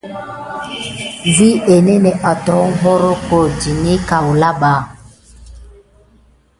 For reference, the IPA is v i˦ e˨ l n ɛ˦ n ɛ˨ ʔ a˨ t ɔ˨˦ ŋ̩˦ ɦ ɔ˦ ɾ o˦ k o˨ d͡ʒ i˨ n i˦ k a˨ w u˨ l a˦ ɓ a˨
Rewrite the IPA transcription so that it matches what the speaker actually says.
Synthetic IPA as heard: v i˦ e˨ n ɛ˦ n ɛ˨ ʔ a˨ t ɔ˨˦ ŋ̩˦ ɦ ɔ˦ ɾ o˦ k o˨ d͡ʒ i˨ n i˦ k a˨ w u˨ l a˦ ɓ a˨